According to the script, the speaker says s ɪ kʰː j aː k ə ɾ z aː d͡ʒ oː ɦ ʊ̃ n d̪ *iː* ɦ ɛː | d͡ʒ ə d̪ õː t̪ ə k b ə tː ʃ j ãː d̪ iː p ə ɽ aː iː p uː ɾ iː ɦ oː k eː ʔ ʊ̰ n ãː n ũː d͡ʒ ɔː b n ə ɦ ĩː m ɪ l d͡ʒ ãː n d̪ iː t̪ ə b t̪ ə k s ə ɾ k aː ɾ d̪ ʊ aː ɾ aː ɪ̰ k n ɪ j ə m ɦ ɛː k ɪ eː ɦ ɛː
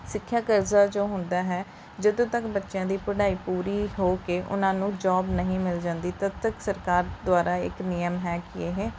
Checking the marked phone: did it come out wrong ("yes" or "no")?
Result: yes